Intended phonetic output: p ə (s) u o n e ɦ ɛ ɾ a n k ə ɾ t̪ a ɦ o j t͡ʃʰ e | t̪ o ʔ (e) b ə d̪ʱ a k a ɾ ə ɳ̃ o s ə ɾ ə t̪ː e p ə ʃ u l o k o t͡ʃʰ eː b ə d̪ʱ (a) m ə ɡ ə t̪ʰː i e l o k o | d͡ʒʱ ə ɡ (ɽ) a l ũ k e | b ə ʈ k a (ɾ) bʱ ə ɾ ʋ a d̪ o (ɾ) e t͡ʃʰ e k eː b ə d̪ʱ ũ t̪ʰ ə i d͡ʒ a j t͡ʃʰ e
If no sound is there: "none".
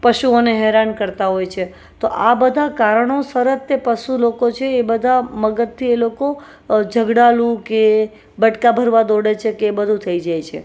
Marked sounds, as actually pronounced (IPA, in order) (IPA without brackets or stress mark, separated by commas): ʃ, a, a, ɽ, none, ɽ